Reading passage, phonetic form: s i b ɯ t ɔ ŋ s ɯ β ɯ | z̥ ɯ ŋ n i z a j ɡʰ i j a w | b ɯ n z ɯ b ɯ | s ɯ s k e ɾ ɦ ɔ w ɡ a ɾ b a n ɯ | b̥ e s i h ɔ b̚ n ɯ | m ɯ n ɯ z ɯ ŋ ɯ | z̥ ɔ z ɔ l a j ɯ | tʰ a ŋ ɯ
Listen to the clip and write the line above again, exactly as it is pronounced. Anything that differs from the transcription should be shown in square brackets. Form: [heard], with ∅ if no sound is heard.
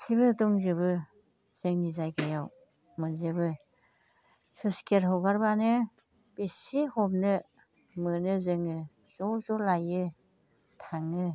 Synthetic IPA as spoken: s i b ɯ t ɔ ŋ [z] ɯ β ɯ | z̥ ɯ ŋ n i z a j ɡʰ [a] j a w | [m] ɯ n z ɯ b ɯ | s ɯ s k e ɾ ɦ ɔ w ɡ a ɾ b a n ɯ | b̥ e s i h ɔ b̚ n ɯ | m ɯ n ɯ z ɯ ŋ ɯ | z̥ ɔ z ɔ l a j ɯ | tʰ a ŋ ɯ